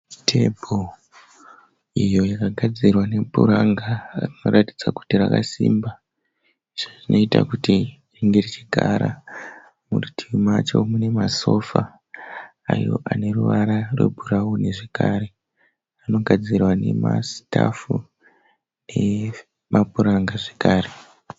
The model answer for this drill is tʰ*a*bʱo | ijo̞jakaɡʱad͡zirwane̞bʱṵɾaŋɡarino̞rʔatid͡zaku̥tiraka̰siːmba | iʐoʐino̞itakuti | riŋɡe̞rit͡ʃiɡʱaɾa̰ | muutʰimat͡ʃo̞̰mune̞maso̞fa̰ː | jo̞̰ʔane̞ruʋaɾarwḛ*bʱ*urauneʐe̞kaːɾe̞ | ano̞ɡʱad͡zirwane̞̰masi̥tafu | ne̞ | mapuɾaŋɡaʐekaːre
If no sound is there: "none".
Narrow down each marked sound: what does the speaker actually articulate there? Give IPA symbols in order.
e, bʱ

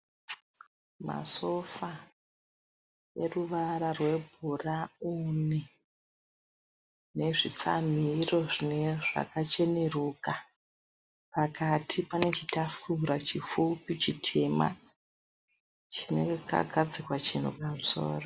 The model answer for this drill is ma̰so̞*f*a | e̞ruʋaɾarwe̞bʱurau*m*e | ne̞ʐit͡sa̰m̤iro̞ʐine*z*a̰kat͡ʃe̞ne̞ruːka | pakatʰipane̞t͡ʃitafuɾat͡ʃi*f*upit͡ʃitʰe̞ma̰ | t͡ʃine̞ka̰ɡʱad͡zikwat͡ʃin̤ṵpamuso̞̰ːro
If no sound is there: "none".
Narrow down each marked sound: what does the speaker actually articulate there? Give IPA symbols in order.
f, n, ʐ, f

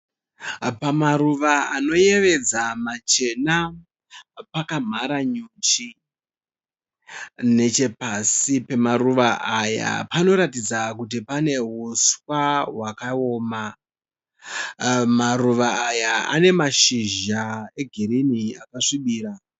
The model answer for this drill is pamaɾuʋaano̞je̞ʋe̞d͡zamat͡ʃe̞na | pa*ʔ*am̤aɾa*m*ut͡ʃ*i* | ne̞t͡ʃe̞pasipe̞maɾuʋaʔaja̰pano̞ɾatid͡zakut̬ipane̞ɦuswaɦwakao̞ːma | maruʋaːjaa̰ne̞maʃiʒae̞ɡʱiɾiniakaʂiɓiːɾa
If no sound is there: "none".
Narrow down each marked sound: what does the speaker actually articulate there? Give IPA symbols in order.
k, ɲ, i

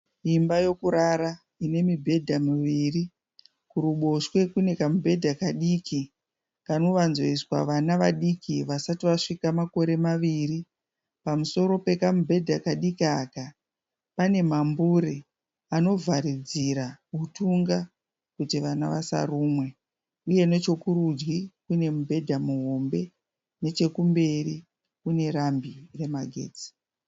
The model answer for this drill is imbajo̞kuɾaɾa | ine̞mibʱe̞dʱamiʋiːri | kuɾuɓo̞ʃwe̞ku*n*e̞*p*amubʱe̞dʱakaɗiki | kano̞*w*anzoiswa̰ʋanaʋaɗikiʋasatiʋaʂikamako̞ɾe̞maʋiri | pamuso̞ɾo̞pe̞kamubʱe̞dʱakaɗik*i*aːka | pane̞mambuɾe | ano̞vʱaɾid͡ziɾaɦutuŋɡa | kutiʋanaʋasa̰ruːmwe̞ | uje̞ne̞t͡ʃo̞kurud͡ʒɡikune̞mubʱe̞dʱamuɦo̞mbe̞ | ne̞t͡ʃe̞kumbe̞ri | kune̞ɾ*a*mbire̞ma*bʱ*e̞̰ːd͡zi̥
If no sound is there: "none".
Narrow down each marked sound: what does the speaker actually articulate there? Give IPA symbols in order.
n, k, ʋ, i, a, ɡʱ

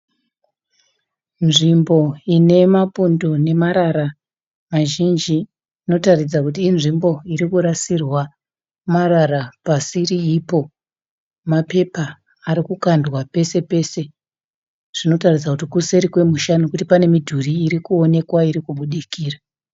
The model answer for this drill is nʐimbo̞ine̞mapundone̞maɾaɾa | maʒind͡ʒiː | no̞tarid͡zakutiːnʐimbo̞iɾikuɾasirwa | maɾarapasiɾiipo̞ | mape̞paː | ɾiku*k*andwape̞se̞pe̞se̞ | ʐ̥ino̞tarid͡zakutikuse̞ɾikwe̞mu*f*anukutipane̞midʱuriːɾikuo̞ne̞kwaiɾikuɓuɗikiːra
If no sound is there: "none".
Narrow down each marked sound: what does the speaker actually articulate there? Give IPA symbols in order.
k, ʃ

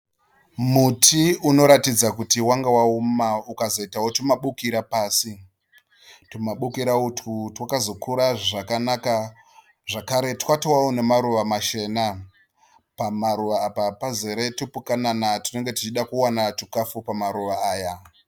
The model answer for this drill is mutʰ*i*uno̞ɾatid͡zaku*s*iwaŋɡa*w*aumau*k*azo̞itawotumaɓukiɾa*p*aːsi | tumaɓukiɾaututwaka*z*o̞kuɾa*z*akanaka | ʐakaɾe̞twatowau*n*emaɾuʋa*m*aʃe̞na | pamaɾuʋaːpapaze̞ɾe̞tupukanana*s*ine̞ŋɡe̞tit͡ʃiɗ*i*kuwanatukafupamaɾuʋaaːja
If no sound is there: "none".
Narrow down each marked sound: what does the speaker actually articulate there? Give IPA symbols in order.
i, t, w, k, p, z, ʐ, n, m, t, a

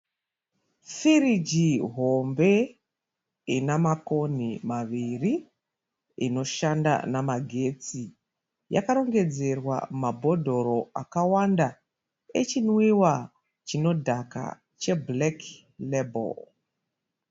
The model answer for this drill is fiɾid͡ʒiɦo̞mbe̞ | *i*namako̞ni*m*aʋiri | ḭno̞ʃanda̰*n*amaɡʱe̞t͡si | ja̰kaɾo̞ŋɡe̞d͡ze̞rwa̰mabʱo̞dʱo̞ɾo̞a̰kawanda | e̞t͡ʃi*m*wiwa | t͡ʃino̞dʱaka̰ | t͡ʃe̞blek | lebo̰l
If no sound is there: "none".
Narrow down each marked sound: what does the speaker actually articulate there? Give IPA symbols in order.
i, m, n, n

